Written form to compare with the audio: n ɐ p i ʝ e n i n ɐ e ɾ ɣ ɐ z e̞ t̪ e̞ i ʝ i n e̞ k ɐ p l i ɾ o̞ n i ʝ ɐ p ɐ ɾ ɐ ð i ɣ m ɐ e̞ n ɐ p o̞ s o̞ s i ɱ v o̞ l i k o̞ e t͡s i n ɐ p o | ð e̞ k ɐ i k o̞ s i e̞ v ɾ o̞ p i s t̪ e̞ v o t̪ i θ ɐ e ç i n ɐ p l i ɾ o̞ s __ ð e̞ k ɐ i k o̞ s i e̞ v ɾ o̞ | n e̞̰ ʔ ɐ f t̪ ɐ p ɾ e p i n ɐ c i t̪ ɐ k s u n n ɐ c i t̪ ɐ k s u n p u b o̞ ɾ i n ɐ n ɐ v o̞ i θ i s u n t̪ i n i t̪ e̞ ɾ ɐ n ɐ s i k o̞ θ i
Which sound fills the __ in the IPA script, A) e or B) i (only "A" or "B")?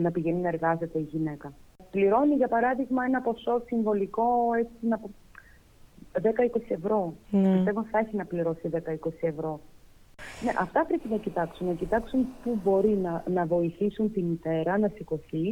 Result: B